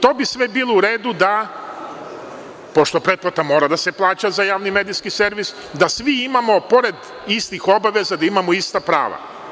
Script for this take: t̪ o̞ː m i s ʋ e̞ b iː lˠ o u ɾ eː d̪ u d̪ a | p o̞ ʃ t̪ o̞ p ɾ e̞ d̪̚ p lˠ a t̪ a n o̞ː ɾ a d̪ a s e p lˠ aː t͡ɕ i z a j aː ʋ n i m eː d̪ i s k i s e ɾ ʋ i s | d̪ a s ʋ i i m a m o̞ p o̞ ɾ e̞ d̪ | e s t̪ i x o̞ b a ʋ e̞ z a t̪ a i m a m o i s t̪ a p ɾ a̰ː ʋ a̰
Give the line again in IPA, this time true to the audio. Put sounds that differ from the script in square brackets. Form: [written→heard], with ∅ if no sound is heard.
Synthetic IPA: t̪ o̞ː [m→b] i s ʋ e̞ b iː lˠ o u ɾ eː d̪ u d̪ a | p o̞ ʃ t̪ o̞ p ɾ e̞ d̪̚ p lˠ a t̪ a [n→m] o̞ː ɾ a d̪ a s e p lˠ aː t͡ɕ [i→a] z a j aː ʋ n i m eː d̪ i s k i s e ɾ ʋ i s | d̪ a s ʋ i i m a m o̞ p o̞ ɾ e̞ d̪ | [e→i] s t̪ i x o̞ b a ʋ e̞ z a [t̪→d̪] a i m a m o i s t̪ a p ɾ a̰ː ʋ a̰